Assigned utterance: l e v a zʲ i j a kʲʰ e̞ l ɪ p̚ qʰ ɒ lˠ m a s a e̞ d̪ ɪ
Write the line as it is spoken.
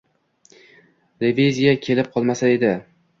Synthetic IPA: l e v e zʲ i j a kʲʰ e̞ l ɪ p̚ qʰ ɒ lˠ m a s a e̞ d̪ ɪ